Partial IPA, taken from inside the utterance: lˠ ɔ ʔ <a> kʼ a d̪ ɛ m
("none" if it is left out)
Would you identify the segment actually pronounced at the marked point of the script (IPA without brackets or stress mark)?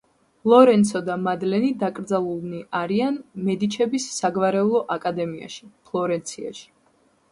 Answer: a